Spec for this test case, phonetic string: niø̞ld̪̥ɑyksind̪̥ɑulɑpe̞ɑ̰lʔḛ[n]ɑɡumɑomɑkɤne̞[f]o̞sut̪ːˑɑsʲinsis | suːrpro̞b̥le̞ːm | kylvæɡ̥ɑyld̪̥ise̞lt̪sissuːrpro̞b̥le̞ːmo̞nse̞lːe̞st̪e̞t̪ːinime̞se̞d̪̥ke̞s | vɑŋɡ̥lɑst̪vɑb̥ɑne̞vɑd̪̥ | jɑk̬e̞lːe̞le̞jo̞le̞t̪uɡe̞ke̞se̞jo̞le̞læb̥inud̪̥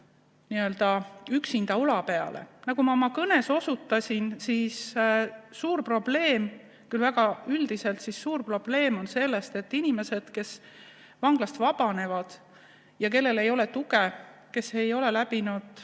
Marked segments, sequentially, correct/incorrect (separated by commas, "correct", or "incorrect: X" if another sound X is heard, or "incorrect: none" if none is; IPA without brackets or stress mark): correct, incorrect: s